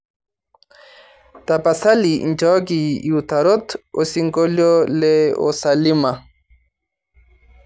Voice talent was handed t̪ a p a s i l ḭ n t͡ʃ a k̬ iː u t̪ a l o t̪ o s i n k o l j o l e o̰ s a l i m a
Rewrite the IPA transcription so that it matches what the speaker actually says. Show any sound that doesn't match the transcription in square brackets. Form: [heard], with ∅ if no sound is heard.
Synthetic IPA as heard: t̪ a p a s [a] l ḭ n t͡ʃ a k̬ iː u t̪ a [ɾ] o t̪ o s i [ŋ] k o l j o l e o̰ s a l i m a